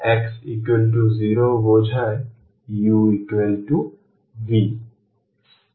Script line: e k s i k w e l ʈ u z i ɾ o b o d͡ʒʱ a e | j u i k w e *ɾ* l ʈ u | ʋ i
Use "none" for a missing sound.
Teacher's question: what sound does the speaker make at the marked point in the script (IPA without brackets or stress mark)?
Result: none